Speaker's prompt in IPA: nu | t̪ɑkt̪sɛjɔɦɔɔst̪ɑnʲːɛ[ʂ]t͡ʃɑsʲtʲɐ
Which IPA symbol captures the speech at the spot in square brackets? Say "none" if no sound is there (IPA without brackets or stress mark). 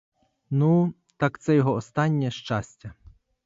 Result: ʃ